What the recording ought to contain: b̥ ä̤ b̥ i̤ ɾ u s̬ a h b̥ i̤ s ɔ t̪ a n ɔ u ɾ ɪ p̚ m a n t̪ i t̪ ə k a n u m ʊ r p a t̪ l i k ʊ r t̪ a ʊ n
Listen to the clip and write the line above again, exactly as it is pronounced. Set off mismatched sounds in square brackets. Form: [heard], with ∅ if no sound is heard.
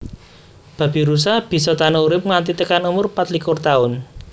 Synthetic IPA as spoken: b̥ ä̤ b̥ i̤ ɾ u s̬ a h b̥ i̤ s ɔ t̪ a n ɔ u ɾ ɪ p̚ [ŋ] a n t̪ i t̪ ə k a n u m ʊ r p a t̪ l i k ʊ r t̪ a ʊ n